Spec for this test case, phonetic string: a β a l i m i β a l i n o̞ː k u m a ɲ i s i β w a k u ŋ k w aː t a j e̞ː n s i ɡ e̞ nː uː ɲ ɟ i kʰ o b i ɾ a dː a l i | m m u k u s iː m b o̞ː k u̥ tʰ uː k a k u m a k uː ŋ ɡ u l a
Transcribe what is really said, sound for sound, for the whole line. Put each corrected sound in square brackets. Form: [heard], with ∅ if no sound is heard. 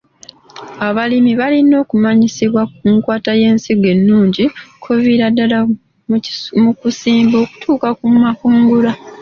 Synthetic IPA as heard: a β a l i m i β a l i n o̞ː k u m a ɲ i s i β w a k u ŋ k w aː t a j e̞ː n s i ɡ e̞ nː uː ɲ ɟ i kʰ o [v] i ɾ a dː a l [a] | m m u k u s iː m b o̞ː k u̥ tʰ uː k a k u m a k uː ŋ ɡ u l a